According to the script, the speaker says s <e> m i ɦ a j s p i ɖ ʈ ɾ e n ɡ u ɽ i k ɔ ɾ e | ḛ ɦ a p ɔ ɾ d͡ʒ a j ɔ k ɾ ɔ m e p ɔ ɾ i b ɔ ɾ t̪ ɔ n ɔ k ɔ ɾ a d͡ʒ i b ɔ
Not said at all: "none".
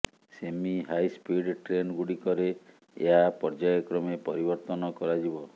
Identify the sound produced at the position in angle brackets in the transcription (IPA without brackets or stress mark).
e